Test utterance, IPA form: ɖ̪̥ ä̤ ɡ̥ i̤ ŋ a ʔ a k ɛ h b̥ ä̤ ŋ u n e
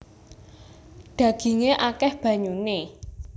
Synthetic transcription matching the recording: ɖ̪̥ ä̤ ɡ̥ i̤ ŋ e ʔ a k ɛ h b̥ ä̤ ɲ u n e